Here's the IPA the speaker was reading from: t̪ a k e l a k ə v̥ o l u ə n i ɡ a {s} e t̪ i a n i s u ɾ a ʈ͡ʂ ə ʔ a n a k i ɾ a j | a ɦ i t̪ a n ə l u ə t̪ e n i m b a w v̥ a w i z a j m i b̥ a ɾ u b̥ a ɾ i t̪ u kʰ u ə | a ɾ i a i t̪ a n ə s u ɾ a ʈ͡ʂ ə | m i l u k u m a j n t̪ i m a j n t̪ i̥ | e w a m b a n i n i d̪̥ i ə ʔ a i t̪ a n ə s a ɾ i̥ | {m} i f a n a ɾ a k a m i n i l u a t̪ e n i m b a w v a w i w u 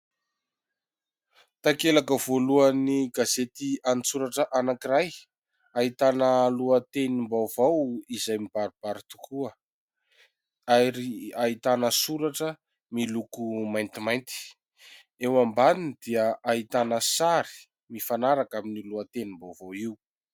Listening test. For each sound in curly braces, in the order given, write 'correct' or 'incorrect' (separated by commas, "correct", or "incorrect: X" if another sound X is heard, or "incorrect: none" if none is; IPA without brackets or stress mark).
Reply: incorrect: z, correct